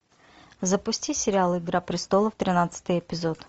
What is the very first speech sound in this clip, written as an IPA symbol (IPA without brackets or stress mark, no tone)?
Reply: z